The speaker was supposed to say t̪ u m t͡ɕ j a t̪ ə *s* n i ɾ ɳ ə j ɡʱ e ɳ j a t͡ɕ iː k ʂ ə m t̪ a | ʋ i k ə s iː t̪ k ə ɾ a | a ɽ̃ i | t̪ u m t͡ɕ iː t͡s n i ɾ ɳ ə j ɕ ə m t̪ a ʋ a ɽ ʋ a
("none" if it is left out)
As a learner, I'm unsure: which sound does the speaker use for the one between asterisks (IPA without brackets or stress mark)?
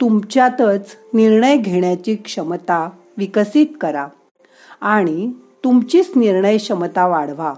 t͡s